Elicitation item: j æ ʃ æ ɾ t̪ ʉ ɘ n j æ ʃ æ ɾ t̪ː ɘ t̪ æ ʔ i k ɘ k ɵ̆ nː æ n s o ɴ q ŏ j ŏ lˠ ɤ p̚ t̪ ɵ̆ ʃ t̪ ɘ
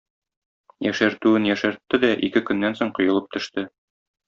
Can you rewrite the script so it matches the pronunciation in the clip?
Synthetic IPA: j æ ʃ æ ɾ t̪ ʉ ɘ n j æ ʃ æ ɾ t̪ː ɘ d̪ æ ʔ i k ɘ k ɵ̆ nː æ n s o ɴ q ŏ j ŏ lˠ ɤ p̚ t̪ ɵ̆ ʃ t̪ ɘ

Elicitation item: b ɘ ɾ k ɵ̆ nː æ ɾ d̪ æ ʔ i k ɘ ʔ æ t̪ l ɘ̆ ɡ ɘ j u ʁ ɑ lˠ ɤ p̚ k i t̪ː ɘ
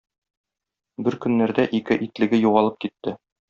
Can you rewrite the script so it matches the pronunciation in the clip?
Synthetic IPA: b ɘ ɾ k ɵ̆ nː æ ɾ d̪ æ ʔ i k ɘ ʔ i t̪ l ɘ̆ ɡ ɘ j u ʁ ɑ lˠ ɤ p̚ k i t̪ː ɘ

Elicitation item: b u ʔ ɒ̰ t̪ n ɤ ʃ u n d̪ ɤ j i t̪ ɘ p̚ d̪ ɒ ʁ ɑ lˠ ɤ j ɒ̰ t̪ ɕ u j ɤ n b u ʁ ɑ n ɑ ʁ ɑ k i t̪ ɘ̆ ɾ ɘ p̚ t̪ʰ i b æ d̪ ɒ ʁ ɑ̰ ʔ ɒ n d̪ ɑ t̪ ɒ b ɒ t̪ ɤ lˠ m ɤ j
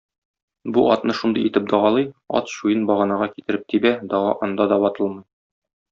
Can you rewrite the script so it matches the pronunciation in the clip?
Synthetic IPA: b u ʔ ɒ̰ t̪ n ɤ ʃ u n d̪ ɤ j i t̪ ɘ p̚ d̪ ɒ ʁ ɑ lˠ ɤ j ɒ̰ t̪ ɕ u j ɤ n b ɒ ʁ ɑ n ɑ ʁ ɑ k i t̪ ɘ̆ ɾ ɘ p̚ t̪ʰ i b æ d̪ ɒ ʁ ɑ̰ ʔ ɒ n d̪ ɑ d̪ ɒ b ɒ t̪ ɤ lˠ m ɤ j

